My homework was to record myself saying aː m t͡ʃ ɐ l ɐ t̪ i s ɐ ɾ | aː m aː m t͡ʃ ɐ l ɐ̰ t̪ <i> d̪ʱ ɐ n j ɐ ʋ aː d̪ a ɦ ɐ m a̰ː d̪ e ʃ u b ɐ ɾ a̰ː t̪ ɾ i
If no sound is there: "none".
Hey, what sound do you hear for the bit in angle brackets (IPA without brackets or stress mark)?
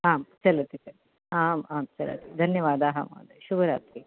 i